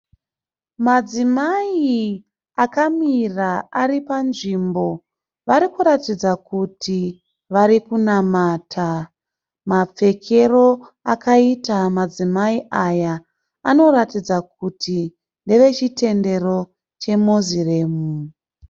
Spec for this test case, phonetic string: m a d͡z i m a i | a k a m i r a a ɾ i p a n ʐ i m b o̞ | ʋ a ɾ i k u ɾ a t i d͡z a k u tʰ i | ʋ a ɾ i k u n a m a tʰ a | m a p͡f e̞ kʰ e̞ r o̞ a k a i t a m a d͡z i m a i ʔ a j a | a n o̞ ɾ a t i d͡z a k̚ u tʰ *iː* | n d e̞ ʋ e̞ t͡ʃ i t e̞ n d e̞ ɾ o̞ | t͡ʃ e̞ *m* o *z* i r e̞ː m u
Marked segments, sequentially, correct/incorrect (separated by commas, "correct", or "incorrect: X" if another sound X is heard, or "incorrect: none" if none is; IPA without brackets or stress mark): incorrect: i, correct, correct